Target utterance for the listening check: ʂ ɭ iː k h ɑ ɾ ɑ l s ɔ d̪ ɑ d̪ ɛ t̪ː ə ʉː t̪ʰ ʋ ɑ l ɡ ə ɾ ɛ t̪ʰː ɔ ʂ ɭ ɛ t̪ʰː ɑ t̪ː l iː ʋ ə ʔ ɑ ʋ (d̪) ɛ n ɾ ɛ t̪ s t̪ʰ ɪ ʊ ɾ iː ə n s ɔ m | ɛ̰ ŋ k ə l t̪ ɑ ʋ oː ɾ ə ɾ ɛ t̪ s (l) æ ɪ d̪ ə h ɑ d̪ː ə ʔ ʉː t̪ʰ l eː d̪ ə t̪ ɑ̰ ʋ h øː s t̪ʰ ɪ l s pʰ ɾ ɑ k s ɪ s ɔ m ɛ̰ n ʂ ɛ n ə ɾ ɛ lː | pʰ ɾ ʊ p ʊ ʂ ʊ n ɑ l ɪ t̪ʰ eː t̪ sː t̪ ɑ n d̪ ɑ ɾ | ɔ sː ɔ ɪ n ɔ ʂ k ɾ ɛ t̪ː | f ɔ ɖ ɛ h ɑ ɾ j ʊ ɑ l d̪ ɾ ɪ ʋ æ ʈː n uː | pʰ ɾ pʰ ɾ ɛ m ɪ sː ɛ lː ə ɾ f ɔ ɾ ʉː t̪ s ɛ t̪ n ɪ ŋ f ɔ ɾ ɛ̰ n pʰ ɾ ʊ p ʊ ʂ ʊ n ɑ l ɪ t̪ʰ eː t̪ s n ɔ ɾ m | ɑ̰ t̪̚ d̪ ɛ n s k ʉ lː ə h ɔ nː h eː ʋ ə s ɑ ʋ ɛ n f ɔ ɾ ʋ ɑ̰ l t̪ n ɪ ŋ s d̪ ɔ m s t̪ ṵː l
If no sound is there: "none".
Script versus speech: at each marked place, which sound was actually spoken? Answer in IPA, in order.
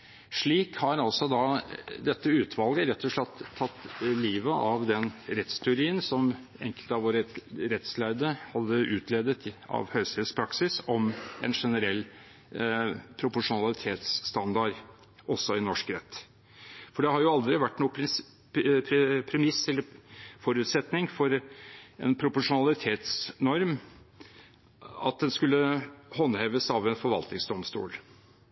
d̪, l

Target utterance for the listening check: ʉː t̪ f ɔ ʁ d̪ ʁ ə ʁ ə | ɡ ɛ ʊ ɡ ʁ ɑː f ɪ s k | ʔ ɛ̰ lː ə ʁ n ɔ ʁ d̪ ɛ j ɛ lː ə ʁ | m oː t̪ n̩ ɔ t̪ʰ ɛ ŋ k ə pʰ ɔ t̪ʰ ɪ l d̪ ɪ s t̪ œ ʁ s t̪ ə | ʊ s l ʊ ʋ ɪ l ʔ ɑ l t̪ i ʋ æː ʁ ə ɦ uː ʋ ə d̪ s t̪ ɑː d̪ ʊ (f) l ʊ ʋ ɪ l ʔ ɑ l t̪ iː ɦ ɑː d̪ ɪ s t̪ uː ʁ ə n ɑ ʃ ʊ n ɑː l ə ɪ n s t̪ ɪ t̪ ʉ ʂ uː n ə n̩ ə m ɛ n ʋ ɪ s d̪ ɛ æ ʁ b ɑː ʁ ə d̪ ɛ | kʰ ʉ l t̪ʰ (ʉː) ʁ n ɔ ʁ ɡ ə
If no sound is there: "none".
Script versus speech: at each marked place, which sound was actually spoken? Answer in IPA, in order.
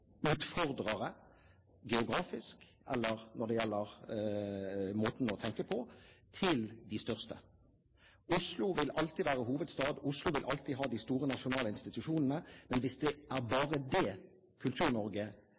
s, ʉː

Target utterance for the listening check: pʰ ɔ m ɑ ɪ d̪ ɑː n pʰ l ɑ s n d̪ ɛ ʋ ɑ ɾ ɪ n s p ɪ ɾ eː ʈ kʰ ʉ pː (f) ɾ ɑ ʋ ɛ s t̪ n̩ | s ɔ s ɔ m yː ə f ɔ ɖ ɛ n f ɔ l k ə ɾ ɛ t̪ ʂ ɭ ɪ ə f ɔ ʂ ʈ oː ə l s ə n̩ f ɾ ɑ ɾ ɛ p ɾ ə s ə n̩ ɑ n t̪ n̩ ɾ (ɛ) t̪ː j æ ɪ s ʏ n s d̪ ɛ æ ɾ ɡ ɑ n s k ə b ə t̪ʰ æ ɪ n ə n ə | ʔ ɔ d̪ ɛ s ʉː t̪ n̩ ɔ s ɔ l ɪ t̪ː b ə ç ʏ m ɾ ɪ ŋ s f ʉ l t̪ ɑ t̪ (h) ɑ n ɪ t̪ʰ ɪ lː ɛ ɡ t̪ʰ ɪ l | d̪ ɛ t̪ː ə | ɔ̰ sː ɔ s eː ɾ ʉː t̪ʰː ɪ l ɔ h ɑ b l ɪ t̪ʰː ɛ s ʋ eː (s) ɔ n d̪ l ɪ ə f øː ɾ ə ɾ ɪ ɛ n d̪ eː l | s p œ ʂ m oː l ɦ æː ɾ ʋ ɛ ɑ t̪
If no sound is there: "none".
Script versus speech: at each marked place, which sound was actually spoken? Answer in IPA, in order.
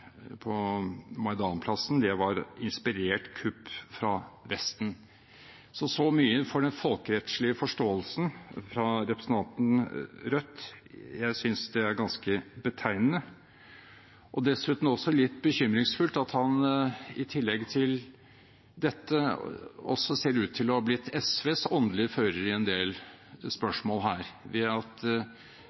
f, œ, h, s

